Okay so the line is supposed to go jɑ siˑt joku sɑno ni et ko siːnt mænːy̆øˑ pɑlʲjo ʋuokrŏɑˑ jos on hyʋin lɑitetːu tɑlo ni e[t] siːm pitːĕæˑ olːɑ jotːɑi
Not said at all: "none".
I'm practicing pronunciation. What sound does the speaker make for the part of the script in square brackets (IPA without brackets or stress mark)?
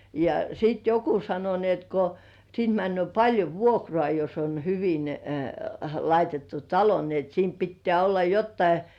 t